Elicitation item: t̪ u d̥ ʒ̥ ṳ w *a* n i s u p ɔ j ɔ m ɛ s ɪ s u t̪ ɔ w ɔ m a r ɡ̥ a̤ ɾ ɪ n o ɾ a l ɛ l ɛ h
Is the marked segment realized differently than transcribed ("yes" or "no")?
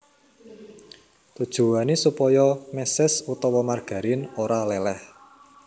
no